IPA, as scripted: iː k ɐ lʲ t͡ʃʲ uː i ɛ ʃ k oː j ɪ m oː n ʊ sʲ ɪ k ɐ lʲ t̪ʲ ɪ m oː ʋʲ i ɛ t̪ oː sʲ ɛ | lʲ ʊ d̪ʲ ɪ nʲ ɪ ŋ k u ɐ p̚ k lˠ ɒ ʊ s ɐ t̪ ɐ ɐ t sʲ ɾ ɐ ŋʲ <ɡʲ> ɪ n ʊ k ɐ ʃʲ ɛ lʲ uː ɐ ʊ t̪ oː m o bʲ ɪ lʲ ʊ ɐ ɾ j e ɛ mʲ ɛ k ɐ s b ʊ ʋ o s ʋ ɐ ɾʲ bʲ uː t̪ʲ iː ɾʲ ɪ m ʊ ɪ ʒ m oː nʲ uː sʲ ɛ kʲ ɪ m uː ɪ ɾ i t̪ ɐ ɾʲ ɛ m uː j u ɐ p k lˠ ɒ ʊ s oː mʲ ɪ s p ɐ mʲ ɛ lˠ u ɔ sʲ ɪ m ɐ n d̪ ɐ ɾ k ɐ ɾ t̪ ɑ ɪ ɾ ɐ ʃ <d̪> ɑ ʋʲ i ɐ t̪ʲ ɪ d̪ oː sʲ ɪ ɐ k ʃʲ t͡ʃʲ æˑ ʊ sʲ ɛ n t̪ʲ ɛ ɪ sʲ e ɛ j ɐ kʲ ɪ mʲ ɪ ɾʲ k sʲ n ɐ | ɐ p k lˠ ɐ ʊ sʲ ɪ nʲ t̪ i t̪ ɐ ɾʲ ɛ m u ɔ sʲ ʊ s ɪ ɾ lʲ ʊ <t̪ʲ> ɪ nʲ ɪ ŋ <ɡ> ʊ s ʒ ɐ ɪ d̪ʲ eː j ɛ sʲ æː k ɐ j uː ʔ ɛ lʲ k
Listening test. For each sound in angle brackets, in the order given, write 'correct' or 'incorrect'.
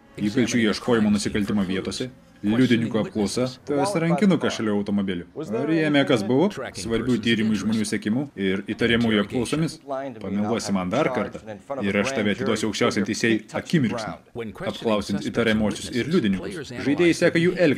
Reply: incorrect: kʲ, incorrect: t̪, incorrect: d̪ʲ, incorrect: k

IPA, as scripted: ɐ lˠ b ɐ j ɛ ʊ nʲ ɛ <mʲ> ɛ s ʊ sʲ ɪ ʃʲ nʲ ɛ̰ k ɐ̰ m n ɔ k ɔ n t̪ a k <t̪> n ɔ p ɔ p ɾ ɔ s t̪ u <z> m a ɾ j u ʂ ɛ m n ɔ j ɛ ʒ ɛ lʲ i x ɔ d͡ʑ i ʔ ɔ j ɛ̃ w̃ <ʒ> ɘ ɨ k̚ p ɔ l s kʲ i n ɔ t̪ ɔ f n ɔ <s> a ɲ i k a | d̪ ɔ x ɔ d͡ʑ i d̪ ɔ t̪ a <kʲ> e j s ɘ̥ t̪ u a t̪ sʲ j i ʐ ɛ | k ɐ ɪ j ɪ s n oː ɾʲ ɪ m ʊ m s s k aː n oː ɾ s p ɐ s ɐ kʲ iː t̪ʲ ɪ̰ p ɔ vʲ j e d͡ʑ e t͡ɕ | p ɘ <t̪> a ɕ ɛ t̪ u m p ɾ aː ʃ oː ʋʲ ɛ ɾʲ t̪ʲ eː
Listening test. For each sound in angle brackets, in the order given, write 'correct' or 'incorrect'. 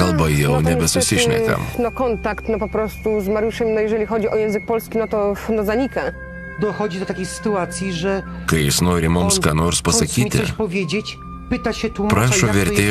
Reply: incorrect: bʲ, correct, correct, incorrect: z, incorrect: z, correct, correct

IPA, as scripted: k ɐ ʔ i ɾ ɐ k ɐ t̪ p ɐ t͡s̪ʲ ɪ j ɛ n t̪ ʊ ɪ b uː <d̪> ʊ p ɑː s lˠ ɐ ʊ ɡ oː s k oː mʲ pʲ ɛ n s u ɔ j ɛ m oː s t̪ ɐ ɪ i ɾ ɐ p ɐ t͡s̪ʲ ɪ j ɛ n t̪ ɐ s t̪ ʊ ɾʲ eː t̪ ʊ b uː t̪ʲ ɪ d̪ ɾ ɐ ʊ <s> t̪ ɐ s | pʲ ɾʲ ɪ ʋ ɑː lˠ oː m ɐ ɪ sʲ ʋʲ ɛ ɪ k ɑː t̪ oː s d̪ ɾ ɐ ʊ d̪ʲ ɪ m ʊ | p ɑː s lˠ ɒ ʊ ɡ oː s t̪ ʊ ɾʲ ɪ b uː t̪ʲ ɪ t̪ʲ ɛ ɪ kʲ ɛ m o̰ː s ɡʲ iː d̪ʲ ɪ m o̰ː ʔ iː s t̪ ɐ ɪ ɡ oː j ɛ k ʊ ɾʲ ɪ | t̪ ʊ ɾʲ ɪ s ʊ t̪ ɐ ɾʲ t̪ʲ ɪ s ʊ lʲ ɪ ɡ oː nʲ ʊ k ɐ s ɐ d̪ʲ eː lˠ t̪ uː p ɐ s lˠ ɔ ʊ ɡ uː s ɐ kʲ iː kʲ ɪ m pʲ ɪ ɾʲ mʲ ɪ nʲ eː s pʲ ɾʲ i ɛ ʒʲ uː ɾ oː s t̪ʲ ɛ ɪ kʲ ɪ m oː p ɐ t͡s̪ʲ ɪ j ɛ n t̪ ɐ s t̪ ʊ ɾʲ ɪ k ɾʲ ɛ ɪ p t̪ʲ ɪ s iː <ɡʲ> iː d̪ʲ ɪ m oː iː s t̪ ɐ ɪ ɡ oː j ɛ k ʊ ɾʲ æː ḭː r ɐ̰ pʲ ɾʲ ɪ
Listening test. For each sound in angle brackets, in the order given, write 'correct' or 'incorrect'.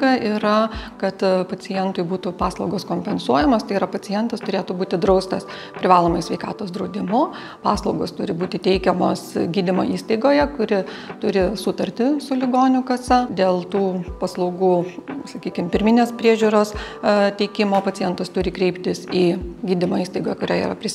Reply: incorrect: t̪, correct, correct

